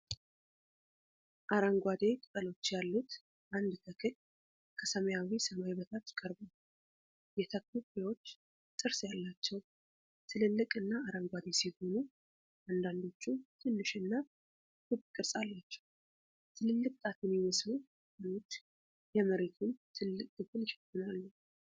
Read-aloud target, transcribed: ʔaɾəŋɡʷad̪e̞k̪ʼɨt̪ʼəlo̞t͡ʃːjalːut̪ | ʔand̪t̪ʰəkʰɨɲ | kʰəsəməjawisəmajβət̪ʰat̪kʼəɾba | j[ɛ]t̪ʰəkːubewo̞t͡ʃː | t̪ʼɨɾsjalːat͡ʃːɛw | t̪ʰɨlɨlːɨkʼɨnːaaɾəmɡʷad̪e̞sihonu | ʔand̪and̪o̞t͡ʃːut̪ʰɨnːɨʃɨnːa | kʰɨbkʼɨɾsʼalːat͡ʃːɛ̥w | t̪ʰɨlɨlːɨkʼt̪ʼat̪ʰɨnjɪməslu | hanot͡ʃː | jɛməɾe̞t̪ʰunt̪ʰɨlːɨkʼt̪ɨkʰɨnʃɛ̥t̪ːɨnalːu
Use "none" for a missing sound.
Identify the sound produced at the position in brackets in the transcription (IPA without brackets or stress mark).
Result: ɛ